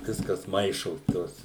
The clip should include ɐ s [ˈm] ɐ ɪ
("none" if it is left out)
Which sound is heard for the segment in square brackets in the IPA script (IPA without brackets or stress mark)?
m